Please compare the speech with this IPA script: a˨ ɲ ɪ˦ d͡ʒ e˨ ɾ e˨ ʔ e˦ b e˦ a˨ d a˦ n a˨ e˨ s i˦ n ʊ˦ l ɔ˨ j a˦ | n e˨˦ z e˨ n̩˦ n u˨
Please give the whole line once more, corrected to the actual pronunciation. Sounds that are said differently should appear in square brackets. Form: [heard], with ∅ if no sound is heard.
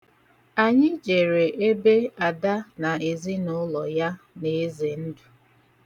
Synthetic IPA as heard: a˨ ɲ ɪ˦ d͡ʒ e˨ ɾ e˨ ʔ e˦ b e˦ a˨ d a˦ n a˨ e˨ [z] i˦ n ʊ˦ l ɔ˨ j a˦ | n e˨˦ z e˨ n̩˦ [d] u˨